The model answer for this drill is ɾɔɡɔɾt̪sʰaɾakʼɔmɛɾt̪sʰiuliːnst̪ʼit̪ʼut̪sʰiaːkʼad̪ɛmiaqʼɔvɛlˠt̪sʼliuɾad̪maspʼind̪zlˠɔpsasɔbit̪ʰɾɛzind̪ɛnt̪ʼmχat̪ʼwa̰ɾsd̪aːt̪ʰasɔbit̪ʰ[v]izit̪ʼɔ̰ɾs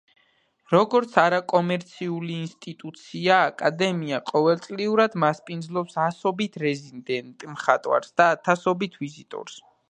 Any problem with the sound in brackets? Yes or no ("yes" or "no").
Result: no